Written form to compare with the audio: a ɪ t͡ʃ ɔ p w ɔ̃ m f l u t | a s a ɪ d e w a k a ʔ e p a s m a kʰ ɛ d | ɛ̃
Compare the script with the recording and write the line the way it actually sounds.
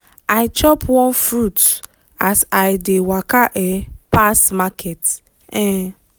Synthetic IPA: a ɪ t͡ʃ ɔ p w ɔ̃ n f ɾ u t | a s a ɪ d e w a k a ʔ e p a s m a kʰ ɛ t | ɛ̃